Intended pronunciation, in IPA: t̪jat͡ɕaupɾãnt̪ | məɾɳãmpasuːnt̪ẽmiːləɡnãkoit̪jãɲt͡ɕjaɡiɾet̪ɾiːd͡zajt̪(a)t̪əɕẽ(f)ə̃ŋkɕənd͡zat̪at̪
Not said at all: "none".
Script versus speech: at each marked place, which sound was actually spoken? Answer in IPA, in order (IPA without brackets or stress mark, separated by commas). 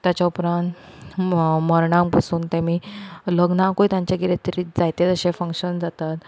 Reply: e, f